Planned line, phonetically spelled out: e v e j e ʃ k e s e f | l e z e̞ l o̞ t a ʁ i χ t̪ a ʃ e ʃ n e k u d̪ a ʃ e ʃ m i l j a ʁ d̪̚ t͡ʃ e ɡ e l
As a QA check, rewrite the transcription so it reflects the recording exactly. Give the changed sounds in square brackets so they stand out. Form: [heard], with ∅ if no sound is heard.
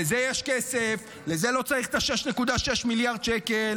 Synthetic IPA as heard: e [z] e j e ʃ k e s e f | l e z e̞ l o̞ [t͡s] a ʁ i χ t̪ a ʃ e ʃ n e k u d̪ a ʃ e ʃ m i l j a ʁ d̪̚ t͡ʃ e [k] e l